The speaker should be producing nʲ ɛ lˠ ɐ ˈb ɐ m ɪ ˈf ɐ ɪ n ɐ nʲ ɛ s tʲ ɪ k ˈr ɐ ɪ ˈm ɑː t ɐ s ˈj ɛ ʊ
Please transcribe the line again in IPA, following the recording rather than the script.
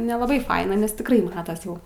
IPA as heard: nʲ ɛ lˠ ɐ ˈb ɐ ɪ ˈf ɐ ɪ n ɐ nʲ ɛ s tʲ ɪ k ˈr ɐ ɪ ˈm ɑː t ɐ s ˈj ɛ ʊ